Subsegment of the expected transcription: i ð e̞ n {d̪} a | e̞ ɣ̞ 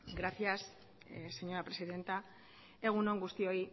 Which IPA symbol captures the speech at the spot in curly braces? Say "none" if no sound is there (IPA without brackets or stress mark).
t̪